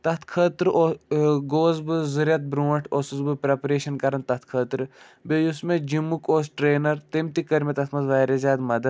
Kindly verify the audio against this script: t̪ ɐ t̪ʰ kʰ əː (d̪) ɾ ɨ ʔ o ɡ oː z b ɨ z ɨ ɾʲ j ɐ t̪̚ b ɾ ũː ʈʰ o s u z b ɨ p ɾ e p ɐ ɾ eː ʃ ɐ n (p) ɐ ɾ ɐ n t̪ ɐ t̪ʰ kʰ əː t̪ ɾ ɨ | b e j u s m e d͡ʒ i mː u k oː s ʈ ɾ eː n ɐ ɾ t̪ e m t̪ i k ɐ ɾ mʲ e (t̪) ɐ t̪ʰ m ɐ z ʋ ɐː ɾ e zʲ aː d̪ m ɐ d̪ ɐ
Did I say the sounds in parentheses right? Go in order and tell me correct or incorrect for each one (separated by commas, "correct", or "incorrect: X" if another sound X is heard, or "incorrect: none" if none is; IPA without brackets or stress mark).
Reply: incorrect: t̪, incorrect: k, correct